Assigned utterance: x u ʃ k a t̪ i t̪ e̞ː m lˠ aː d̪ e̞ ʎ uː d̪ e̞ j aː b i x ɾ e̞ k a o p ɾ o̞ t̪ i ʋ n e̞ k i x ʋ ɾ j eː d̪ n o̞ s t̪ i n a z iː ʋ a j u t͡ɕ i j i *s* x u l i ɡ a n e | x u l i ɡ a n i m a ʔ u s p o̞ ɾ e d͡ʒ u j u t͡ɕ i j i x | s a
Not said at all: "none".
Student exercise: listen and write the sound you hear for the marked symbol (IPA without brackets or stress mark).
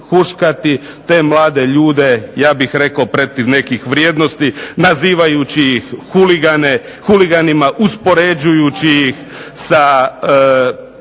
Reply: x